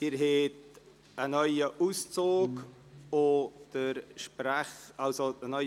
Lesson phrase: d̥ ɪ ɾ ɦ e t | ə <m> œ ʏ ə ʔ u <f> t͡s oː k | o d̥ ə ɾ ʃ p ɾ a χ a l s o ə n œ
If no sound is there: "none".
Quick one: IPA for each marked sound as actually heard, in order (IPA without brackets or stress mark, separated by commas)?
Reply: n, s